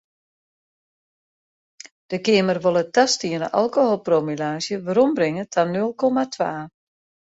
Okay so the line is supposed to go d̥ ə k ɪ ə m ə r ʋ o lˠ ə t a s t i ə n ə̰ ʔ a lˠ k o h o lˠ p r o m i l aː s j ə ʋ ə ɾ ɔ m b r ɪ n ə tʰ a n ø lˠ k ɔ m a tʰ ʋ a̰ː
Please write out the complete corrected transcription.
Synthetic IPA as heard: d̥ ə k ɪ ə m ə r ʋ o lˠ ə t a s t i ə n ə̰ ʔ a lˠ k o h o lˠ p r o m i l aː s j ə ʋ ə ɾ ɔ m b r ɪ ŋ ə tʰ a n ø lˠ k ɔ m a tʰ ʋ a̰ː